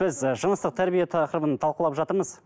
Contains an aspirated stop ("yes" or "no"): yes